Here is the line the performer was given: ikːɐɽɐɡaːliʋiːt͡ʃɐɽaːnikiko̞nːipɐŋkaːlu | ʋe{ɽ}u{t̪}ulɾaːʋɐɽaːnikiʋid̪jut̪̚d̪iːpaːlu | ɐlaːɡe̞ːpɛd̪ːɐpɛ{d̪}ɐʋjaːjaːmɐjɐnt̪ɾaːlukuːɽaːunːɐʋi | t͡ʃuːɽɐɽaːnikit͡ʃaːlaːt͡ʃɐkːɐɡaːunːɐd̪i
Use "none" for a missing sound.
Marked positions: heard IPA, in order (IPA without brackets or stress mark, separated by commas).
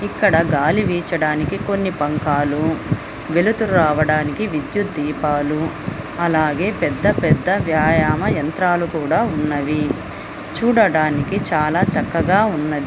l, t̪, d̪ː